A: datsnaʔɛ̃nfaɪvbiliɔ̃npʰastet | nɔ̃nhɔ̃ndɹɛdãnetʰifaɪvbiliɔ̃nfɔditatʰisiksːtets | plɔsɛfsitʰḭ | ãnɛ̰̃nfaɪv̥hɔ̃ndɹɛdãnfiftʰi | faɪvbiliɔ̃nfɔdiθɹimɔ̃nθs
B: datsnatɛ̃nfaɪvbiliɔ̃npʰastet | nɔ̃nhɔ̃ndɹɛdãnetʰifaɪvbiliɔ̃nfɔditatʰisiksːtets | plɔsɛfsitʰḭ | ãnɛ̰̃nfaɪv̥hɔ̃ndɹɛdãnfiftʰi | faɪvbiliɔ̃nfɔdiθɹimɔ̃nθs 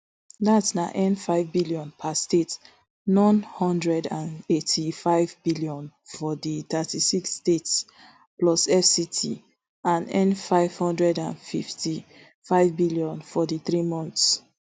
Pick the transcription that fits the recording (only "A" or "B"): A